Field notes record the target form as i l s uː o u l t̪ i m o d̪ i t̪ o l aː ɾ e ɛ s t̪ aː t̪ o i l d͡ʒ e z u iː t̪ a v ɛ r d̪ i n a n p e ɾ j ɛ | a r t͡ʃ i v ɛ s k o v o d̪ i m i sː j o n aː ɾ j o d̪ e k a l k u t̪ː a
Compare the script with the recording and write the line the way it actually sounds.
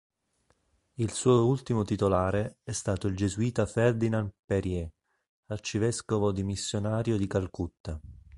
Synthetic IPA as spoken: i l s uː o u l t̪ i m o t̪ i t̪ o l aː ɾ e ɛ s t̪ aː t̪ o i l d͡ʒ e z u iː t̪ a f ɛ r d̪ i n a n p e ɾ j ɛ | a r t͡ʃ i v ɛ s k o v o d̪ i m i sː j o n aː ɾ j o d̪ i k a l k u t̪ː a